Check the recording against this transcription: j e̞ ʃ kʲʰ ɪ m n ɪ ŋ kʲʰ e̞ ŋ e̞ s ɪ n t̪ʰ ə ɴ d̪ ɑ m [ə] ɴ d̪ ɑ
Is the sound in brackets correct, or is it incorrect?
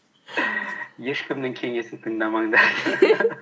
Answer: incorrect